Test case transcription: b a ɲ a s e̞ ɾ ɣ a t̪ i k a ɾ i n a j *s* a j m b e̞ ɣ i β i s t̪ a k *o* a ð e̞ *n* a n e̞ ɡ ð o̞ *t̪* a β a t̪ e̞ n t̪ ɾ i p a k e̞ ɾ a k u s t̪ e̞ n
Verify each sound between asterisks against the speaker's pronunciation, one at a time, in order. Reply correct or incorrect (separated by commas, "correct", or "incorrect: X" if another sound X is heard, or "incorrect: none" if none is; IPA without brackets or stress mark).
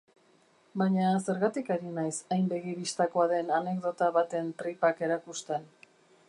correct, correct, correct, correct